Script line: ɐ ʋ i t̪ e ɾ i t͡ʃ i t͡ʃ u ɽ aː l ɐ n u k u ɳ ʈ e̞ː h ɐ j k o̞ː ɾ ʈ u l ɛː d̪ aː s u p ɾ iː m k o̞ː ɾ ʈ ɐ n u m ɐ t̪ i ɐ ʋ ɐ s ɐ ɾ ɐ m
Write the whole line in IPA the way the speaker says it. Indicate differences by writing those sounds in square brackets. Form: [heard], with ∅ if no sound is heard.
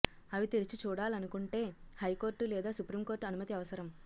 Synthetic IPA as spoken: ɐ ʋ i t̪ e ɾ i t͡ʃ i t͡ʃ [uː] ɽ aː l ɐ n u k u ɳ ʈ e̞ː h ɐ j k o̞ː ɾ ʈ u l ɛː d̪ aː s u p ɾ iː m k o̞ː ɾ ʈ ɐ n u m ɐ t̪ i ɐ ʋ ɐ s ɐ ɾ ɐ m